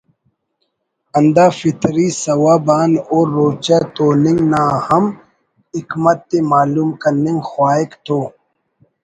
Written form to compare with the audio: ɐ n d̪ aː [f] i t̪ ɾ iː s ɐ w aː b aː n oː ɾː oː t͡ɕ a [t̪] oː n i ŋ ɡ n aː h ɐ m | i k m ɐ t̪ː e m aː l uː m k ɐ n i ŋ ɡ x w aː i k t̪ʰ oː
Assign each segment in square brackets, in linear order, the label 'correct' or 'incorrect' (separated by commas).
correct, correct